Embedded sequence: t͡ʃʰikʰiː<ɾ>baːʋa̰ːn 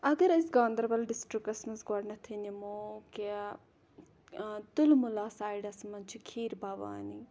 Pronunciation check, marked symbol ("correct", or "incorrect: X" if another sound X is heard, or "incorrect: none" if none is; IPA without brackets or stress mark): correct